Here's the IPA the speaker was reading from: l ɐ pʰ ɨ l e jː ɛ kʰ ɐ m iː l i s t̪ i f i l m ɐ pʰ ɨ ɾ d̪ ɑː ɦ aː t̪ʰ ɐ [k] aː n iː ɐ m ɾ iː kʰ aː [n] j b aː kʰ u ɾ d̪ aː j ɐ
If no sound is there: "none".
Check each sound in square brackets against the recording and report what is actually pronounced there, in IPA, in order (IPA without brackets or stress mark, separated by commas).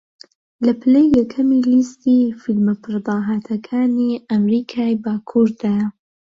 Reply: kʰ, none